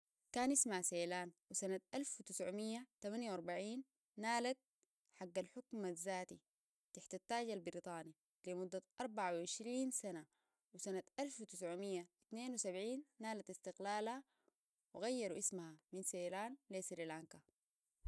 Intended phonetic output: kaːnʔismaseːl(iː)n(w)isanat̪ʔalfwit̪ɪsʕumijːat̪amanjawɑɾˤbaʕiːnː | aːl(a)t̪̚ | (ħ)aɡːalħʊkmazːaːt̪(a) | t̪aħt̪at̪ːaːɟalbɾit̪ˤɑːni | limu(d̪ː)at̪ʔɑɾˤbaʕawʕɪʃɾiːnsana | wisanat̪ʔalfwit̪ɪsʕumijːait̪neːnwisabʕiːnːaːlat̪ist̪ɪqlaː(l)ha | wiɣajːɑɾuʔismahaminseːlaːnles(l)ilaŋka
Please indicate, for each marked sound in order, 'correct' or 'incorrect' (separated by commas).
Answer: incorrect, correct, correct, correct, incorrect, correct, correct, incorrect